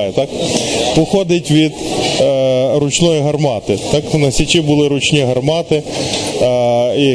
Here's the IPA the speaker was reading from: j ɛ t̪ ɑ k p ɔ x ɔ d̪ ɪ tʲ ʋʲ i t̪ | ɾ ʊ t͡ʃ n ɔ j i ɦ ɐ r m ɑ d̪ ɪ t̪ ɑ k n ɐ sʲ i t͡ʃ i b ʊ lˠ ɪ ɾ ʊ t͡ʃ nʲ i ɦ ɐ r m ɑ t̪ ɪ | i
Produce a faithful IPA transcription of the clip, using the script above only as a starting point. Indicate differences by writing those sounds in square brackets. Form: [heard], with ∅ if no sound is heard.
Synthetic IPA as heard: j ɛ t̪ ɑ k p ɔ x ɔ d̪ ɪ tʲ ʋʲ i [d̪] | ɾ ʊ t͡ʃ n ɔ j i ɦ ɐ r m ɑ [t̪] ɪ t̪ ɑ k n ɐ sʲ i t͡ʃ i b ʊ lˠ ɪ ɾ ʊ t͡ʃ nʲ i ɦ ɐ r m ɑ t̪ ɪ | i